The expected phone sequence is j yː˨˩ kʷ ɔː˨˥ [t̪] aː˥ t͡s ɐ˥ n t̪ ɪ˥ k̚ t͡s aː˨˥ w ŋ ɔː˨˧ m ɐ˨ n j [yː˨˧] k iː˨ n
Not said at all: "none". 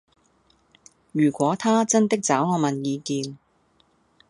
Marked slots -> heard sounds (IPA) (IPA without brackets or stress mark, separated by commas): t̪ʰ, iː˨˧